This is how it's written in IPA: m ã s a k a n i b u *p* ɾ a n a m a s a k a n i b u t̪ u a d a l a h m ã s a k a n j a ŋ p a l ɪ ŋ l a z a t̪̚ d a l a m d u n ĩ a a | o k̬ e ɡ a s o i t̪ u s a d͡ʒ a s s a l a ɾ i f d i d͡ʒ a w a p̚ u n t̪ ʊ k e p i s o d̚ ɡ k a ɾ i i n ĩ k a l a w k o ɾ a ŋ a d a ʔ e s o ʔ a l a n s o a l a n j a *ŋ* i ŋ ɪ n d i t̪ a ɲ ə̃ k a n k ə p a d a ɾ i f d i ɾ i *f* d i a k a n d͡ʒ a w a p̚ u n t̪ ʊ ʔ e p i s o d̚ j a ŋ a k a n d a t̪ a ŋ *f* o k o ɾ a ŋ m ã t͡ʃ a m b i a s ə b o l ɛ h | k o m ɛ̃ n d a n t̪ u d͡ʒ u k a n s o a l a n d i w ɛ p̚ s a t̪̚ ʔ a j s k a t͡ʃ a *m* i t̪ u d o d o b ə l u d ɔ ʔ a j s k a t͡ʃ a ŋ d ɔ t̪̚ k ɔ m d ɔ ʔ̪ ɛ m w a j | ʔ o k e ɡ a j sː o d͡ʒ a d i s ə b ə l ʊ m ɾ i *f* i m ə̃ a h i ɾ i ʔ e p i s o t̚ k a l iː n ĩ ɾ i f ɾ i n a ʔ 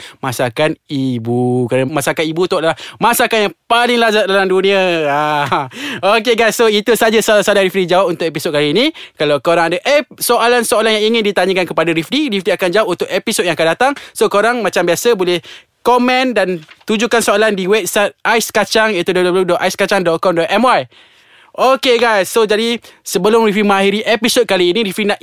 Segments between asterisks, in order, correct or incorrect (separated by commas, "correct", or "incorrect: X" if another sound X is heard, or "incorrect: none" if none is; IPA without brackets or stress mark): incorrect: k, correct, correct, incorrect: s, incorrect: ŋ, correct